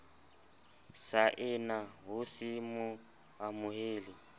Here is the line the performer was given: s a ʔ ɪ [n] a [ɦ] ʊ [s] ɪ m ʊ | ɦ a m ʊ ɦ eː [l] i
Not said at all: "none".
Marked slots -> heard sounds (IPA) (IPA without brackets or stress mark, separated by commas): n, ɦ, s, l